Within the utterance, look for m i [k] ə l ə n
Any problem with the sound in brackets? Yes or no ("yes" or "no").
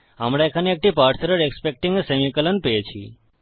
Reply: no